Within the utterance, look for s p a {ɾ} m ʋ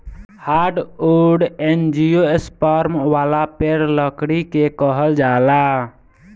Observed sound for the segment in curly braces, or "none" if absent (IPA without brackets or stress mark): ɾ